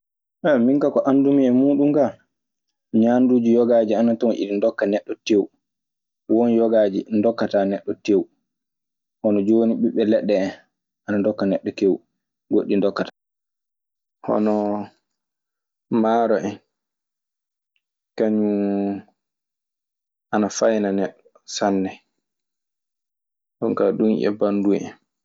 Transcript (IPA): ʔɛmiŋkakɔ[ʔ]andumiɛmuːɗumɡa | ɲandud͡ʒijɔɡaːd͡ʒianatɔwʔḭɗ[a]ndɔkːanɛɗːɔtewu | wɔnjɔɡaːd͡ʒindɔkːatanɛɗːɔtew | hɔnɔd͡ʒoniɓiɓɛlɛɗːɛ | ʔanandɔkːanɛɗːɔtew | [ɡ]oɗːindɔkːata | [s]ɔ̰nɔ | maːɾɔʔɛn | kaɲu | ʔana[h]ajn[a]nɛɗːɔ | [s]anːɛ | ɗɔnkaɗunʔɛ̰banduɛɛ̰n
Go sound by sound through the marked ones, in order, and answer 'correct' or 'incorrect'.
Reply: correct, incorrect, correct, incorrect, incorrect, correct, correct

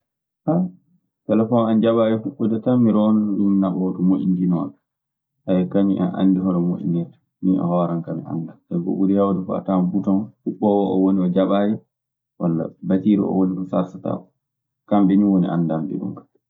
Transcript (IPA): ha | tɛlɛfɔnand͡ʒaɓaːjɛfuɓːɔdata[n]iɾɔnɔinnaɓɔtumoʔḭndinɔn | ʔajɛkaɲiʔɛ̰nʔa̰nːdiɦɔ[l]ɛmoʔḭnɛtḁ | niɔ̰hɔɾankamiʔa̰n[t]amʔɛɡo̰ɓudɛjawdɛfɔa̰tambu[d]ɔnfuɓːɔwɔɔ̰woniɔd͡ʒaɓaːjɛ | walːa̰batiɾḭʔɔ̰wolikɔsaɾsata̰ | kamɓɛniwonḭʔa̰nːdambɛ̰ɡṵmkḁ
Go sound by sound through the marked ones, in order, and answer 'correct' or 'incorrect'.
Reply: incorrect, incorrect, incorrect, incorrect

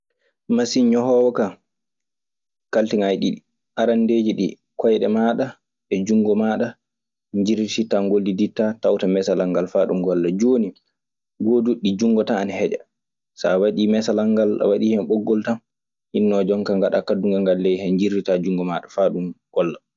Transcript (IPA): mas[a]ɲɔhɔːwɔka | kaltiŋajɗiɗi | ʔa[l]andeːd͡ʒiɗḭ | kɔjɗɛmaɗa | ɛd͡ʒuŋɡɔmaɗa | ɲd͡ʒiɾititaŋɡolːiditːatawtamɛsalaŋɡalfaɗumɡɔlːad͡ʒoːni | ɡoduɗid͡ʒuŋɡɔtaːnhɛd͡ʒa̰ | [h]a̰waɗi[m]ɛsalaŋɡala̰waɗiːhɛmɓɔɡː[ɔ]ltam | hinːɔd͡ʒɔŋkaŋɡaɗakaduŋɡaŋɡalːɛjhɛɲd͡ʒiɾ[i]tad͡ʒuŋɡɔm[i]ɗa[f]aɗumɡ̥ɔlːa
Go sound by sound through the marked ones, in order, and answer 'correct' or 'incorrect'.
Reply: incorrect, incorrect, incorrect, correct, correct, correct, incorrect, correct

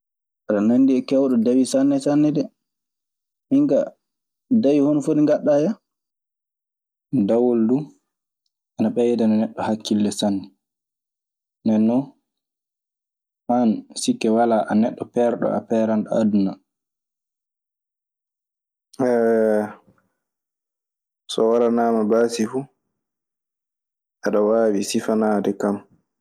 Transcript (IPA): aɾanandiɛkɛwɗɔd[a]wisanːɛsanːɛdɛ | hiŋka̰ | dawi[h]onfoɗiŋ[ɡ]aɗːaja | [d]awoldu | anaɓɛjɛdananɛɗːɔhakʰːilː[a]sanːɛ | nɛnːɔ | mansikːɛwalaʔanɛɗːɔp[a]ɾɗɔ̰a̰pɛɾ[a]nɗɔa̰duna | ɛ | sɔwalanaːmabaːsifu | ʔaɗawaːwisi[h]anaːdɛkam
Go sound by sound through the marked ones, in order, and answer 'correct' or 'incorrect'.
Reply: correct, correct, correct, correct, incorrect, incorrect, correct, incorrect

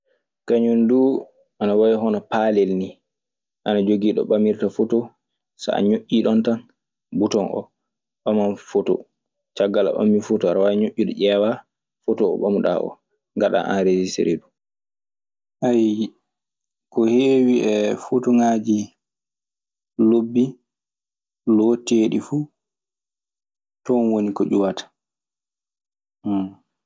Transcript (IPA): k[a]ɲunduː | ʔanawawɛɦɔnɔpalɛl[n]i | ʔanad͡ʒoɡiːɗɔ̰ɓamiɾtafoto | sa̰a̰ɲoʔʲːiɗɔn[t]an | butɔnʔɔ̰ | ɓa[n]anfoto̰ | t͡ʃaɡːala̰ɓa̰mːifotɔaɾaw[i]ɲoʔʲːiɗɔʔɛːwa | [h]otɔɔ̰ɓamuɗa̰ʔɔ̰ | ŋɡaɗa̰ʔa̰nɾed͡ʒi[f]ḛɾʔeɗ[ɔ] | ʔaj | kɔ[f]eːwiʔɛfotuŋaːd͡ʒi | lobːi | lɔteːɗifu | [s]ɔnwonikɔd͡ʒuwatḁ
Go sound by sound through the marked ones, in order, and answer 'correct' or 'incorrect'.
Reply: correct, correct, correct, incorrect, incorrect, incorrect, incorrect, incorrect, incorrect, incorrect

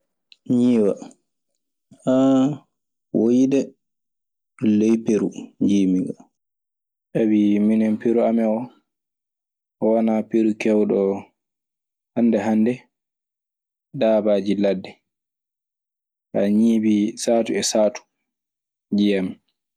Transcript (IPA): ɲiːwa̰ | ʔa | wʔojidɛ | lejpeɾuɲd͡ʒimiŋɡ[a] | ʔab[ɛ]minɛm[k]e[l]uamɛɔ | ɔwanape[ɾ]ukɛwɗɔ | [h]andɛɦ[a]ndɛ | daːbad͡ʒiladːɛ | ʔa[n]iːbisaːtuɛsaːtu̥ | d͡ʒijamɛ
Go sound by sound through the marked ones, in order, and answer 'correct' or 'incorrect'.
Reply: correct, incorrect, incorrect, incorrect, correct, correct, correct, incorrect

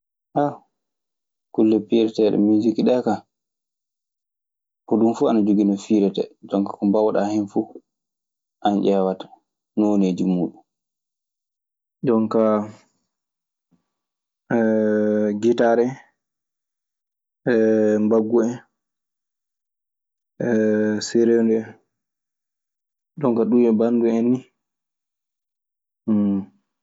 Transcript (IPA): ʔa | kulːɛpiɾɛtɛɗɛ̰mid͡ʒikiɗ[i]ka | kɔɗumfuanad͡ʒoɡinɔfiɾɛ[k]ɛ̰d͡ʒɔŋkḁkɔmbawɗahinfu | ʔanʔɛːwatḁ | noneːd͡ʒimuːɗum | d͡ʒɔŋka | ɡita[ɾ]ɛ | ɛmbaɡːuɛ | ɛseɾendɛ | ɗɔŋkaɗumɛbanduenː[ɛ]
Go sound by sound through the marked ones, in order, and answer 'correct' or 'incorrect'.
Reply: incorrect, incorrect, correct, incorrect

